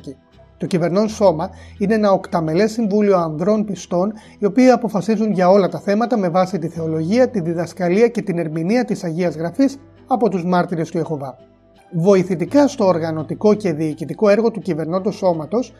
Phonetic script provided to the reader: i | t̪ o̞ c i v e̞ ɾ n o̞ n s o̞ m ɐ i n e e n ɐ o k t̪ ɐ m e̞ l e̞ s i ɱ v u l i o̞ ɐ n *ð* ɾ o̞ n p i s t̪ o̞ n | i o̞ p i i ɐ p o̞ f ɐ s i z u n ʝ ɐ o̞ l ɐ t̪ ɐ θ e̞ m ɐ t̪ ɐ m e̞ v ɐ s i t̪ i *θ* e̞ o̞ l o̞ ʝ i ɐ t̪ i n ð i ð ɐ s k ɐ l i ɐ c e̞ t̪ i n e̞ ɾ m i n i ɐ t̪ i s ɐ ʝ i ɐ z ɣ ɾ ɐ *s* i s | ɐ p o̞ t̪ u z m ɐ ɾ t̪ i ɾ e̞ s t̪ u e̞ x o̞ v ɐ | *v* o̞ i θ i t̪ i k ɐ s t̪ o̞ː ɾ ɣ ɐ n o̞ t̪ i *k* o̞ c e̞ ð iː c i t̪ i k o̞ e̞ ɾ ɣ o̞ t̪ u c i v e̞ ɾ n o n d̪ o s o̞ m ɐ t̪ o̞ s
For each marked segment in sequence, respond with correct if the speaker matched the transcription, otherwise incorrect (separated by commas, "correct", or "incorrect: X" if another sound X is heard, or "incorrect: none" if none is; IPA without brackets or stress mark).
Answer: correct, correct, incorrect: f, correct, correct